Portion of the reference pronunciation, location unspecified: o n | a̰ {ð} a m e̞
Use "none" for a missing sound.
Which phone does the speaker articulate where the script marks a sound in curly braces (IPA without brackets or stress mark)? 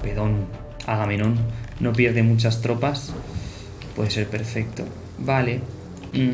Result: ɣ